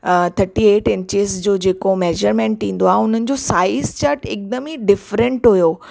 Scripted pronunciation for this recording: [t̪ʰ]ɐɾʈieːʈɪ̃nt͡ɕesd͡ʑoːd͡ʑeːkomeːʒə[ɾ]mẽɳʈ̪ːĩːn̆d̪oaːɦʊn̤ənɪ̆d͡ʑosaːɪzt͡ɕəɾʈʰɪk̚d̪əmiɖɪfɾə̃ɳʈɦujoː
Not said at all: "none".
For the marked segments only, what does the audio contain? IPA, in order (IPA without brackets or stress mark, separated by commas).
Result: t̪ʰ, ɾ